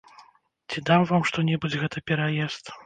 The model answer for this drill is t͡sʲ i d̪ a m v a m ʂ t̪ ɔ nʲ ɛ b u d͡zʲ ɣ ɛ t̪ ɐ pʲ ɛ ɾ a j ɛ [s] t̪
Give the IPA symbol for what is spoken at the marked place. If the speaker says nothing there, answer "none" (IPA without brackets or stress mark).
s